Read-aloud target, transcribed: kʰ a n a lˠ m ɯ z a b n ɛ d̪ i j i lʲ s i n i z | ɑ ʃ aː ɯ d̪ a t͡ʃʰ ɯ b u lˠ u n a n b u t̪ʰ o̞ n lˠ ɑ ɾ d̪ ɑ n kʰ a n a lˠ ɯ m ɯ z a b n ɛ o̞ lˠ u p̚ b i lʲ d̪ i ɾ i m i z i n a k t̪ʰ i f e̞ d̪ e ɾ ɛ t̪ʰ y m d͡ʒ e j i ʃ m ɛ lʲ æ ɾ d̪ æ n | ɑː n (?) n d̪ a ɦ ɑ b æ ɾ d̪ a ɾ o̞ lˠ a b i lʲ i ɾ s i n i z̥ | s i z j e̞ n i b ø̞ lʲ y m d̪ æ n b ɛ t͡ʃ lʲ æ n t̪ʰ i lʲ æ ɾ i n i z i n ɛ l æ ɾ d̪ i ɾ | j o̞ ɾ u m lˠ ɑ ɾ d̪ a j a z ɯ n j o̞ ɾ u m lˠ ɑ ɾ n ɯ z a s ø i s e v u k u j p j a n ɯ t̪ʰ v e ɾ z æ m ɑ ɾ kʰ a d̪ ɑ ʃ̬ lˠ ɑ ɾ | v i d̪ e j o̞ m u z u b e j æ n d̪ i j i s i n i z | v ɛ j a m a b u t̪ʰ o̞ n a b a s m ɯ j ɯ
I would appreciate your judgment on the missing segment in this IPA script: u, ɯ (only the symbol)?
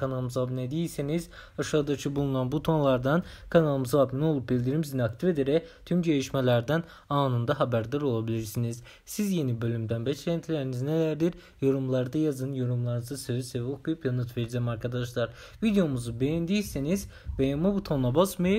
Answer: ɯ